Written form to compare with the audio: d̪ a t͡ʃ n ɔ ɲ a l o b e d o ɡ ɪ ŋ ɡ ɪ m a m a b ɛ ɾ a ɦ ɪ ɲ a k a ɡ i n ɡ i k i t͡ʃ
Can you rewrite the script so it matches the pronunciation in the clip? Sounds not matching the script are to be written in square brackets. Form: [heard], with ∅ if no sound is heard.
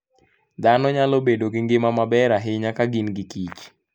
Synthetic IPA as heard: d̪ a [∅] n ɔ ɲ a l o b e d o ɡ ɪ ŋ ɡ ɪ m a m a b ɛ ɾ a ɦ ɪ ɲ a k a ɡ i n ɡ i k i t͡ʃ